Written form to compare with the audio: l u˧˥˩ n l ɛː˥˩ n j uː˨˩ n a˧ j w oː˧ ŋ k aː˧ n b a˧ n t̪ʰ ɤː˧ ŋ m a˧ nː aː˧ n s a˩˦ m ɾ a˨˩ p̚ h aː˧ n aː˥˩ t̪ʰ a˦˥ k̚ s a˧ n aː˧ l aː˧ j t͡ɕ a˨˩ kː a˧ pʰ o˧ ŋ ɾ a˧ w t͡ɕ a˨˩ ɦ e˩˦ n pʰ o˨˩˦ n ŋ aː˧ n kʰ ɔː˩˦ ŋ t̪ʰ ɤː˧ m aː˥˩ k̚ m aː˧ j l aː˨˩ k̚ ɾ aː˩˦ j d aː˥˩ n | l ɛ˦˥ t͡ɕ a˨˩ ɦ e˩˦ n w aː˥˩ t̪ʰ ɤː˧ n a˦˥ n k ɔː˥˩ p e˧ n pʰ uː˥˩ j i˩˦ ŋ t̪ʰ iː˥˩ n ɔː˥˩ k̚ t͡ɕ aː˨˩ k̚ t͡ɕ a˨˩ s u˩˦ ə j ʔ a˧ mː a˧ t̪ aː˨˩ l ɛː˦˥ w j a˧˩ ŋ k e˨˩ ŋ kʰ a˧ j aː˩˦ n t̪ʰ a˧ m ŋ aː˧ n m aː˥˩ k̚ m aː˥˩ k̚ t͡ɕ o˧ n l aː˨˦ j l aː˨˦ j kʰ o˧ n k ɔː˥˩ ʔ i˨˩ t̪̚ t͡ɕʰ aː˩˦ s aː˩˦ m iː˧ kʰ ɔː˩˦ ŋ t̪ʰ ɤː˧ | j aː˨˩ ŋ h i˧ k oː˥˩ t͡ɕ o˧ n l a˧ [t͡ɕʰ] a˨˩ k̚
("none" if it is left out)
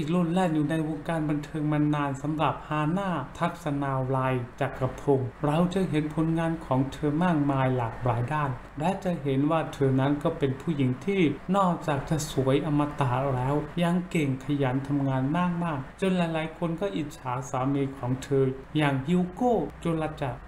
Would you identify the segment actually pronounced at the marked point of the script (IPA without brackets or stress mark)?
t͡ɕ